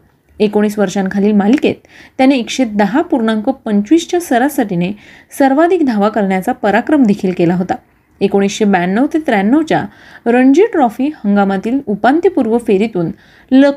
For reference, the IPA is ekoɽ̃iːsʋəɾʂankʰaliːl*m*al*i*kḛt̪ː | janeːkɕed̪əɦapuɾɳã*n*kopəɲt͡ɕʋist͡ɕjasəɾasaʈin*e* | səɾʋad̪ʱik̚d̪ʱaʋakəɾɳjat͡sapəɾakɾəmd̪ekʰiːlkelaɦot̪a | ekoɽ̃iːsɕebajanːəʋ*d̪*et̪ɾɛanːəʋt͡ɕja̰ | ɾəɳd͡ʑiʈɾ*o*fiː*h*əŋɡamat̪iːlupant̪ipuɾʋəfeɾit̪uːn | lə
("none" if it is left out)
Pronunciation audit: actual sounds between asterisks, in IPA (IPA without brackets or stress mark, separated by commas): m, i, ŋ, e, t̪, ɔ, h